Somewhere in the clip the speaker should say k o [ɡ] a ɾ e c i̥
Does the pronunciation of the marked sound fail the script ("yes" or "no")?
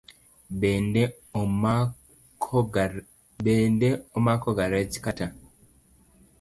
no